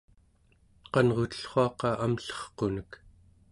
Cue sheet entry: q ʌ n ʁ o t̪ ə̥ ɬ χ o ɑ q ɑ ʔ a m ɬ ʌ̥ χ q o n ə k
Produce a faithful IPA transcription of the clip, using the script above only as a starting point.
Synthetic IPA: q ɑ n ʁ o t̪ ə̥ ɬ χ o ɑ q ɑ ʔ a m ɬ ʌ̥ χ q o n ə k